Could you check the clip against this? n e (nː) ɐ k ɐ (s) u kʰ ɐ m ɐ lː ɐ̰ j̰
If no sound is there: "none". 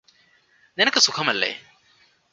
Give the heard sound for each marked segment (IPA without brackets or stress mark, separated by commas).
n, s